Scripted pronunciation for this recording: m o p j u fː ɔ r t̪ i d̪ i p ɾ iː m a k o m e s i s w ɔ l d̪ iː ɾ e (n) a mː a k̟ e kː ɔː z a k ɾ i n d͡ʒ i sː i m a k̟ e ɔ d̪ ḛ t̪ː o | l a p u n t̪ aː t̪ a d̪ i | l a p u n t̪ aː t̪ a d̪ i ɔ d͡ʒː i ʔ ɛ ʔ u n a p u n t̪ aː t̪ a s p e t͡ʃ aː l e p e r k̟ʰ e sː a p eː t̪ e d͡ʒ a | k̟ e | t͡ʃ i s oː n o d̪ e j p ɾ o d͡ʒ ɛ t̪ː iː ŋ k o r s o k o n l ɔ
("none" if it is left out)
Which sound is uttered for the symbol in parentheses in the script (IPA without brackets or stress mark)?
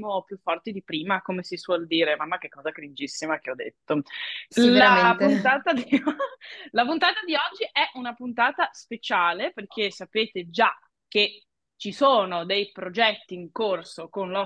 m